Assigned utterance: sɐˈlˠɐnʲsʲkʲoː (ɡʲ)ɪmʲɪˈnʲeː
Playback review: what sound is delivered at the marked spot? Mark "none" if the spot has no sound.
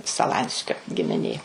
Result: ɡʲ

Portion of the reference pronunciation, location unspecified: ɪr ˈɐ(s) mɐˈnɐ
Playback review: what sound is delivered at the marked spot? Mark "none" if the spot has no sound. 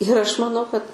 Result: ʃ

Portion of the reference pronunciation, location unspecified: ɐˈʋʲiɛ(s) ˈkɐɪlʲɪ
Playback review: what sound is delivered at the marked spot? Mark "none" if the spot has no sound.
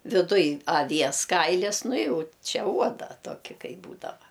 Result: s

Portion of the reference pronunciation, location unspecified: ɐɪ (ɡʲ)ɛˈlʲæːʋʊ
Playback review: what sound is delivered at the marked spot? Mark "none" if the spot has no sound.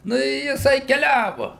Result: kʲ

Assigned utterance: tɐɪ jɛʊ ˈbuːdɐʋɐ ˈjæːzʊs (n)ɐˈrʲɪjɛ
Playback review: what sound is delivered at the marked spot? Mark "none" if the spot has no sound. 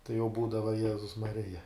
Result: m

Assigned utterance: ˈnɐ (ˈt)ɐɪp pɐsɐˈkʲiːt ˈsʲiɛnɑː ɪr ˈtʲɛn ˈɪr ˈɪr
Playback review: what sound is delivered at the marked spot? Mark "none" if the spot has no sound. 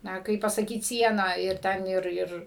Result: k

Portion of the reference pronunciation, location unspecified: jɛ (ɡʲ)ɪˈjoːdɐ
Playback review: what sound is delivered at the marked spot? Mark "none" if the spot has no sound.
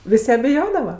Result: bʲ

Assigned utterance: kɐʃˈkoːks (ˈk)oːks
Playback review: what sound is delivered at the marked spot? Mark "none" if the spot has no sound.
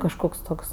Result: t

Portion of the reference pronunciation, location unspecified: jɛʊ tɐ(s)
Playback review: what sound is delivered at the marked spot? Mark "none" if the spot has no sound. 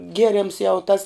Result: s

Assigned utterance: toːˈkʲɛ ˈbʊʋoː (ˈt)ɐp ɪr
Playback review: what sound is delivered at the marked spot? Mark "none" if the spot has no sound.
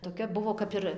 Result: k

